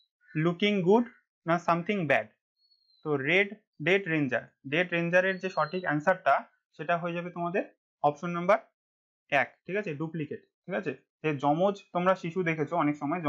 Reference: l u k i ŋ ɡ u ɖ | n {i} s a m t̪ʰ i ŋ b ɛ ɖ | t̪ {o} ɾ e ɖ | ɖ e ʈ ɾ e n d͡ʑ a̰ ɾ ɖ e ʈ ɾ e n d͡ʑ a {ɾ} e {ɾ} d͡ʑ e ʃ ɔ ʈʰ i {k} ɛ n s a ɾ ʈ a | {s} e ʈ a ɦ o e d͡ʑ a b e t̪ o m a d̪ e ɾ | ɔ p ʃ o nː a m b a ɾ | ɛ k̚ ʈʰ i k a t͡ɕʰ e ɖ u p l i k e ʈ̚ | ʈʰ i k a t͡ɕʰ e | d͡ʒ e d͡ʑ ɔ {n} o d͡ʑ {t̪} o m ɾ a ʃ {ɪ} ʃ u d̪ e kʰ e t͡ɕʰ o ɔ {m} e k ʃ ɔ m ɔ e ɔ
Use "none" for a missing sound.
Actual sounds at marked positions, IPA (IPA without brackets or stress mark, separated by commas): a, o, ɾ, ɾ, k, ʃ, m, t̪, i, n